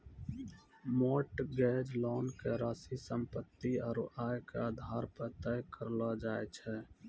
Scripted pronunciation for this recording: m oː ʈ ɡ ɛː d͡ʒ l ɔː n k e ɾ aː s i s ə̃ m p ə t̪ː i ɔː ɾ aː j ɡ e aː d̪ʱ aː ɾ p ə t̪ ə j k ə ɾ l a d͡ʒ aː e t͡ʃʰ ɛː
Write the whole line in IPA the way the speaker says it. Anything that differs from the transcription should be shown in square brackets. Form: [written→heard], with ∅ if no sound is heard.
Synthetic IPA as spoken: m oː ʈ ɡ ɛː d͡ʒ l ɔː n k e ɾ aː s i s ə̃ m p ə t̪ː i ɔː ɾ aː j [ɡ→k] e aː d̪ʱ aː ɾ p ə t̪ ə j k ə ɾ l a d͡ʒ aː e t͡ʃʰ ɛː